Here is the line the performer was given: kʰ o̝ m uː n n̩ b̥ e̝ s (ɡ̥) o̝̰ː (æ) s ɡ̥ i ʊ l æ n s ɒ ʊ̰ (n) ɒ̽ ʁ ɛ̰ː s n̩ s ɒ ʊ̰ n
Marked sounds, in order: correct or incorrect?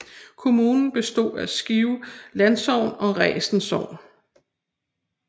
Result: incorrect, correct, correct

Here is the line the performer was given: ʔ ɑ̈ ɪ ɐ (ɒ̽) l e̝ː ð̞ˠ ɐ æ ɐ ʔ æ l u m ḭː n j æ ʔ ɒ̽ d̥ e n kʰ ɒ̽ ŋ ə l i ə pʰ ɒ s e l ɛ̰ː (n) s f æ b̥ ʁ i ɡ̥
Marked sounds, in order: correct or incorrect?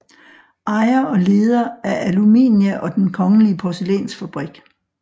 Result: correct, correct

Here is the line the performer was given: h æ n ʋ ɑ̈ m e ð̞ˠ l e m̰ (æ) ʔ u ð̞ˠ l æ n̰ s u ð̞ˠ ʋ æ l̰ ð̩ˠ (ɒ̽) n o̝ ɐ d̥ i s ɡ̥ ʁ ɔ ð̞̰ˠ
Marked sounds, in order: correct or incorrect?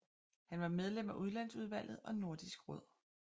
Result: correct, correct

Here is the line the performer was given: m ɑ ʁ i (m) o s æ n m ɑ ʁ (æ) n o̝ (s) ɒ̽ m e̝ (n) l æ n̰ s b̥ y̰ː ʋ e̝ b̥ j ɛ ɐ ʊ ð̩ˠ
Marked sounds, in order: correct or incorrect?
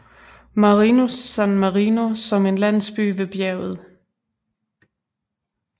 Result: incorrect, incorrect, correct, correct

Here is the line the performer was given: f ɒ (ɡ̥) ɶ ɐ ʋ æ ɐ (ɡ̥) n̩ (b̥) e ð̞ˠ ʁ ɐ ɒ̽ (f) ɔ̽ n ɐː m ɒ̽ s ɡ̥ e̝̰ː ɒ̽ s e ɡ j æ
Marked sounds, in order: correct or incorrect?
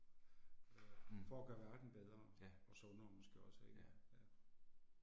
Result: correct, incorrect, correct, incorrect

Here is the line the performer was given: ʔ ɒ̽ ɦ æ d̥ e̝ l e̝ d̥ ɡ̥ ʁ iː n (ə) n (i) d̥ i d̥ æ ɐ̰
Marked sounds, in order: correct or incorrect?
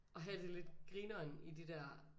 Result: incorrect, correct

